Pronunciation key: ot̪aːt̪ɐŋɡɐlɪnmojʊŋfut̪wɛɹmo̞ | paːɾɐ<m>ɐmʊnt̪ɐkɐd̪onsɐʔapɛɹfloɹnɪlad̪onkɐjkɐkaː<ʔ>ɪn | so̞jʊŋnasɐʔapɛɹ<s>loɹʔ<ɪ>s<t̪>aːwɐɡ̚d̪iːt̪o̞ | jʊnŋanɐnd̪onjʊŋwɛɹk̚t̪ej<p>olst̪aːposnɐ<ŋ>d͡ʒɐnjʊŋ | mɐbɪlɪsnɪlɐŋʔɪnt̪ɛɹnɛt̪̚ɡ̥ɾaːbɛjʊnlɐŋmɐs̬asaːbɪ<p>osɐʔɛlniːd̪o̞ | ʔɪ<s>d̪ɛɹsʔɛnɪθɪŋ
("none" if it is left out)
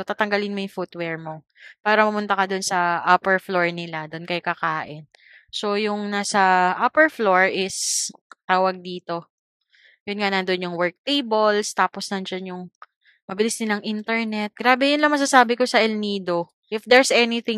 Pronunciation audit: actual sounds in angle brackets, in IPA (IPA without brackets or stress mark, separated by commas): m, ʔ, f, ɪ, t̪, b, n, k, f